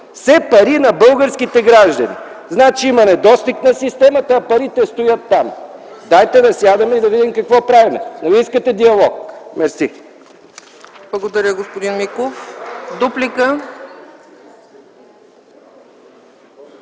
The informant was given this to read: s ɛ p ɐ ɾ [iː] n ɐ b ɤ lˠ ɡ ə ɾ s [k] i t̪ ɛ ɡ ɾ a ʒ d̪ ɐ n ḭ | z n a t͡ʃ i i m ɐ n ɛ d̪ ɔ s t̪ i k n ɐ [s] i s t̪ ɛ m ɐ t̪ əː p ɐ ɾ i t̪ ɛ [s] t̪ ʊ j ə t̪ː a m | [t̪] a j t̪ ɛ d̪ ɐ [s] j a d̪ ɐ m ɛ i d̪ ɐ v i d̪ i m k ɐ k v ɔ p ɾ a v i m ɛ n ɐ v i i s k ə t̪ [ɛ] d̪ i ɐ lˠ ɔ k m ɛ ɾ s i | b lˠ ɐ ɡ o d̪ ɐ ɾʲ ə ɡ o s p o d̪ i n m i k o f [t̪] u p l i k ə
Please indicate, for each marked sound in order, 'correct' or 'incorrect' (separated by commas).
incorrect, correct, correct, correct, incorrect, correct, correct, incorrect